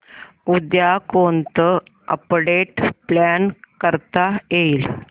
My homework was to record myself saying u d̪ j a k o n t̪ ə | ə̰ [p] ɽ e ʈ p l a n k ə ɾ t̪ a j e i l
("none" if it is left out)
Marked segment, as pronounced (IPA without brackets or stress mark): p